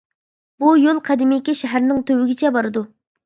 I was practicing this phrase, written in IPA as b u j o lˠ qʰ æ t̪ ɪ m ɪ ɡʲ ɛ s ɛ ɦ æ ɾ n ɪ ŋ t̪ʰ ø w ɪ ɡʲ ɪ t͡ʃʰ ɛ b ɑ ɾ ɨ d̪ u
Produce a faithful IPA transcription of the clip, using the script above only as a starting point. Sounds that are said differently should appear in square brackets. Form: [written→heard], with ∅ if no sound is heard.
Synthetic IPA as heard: b u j o lˠ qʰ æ [t̪→d̪] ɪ m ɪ [ɡʲ→kʲ] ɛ [s→ʃ] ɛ ɦ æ ɾ n ɪ ŋ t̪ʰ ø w ɪ ɡʲ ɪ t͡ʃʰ ɛ b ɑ ɾ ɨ d̪ u